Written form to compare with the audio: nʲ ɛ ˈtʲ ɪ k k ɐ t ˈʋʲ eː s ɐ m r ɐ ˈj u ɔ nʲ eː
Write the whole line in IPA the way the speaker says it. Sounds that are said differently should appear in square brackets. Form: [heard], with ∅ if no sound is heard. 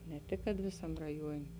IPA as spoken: nʲ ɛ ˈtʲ ɪ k k ɐ t ˈʋʲ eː s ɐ m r ɐ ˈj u ɔ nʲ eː